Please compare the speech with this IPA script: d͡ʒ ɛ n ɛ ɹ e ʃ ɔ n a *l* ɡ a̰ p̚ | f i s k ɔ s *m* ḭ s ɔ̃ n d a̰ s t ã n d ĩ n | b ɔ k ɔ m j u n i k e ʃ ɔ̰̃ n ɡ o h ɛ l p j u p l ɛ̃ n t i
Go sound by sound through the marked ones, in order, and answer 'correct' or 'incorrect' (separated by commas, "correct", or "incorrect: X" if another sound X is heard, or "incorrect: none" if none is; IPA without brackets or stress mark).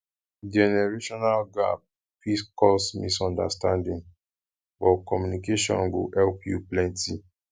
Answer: correct, correct